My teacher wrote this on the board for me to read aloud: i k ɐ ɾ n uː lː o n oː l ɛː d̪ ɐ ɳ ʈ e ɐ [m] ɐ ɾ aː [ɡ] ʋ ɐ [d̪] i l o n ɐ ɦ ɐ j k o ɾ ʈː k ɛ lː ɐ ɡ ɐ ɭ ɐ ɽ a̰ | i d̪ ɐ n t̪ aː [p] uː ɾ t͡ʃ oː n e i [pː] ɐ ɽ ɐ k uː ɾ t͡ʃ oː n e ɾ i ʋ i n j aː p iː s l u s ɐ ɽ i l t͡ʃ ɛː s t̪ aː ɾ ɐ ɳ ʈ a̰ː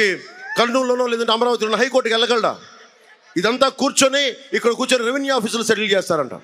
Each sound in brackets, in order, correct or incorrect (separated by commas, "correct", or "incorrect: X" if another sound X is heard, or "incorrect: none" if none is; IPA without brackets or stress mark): correct, incorrect: none, incorrect: t̪, incorrect: k, incorrect: kː